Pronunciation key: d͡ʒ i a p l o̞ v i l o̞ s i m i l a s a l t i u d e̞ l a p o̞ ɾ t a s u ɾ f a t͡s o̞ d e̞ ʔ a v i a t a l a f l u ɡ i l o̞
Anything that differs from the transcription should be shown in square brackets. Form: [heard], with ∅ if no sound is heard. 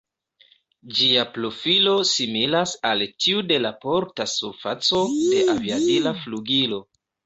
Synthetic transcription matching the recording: d͡ʒ i a p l o̞ [f] i l o̞ s i m i l a s a l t i u d e̞ l a p o̞ ɾ t a s u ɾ f a t͡s o̞ d e̞ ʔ a v i a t [i] l a f l u ɡ i l o̞